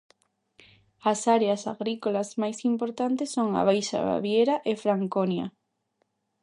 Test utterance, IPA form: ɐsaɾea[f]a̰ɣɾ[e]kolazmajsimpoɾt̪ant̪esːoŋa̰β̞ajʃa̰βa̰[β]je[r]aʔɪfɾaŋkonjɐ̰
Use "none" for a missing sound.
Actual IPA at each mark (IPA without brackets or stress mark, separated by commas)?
s, i, β, ɾ